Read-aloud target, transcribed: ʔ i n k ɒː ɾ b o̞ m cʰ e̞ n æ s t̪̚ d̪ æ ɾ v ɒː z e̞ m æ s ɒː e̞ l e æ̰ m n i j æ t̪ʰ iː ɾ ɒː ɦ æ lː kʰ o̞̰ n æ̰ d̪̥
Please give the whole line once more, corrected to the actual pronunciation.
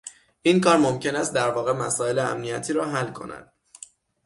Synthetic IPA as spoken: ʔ i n k ɒː ɾ m o̞ m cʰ e̞ n æ s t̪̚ d̪ æ ɾ v ɒː ɣ e̞ m æ s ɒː e̞ l e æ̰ m n i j æ t̪ʰ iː ɾ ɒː ɦ æ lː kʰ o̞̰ n æ̰ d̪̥